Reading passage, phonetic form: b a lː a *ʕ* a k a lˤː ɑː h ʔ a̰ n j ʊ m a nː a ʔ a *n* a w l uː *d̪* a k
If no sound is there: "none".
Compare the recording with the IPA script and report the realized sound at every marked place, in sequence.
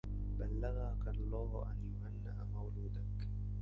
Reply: ɣ, m, d̪

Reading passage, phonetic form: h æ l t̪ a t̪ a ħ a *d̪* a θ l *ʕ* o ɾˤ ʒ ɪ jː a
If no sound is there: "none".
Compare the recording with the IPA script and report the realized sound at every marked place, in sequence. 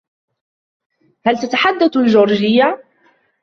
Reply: d̪ː, ʒ

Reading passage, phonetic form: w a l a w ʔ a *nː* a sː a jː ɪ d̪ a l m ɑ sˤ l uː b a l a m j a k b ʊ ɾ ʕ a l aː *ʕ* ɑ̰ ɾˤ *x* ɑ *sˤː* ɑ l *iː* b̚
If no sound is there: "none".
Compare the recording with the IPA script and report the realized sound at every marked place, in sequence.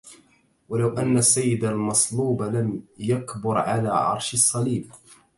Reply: nː, ʕ, ʃ, sˤː, iː

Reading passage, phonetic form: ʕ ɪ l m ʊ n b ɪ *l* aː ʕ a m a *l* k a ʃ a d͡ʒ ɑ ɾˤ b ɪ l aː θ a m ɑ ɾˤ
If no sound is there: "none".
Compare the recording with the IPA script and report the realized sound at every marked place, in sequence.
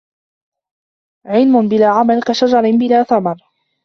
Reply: l, l

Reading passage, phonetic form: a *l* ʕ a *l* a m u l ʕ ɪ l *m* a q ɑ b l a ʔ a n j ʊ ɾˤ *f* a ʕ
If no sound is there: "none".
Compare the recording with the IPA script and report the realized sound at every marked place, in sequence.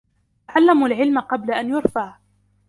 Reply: none, lː, m, f

